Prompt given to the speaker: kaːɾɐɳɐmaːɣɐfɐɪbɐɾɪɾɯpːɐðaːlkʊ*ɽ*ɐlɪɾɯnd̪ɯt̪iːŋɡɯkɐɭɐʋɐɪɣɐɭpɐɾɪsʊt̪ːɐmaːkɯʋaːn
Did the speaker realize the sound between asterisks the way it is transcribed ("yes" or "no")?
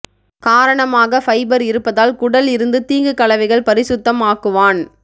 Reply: yes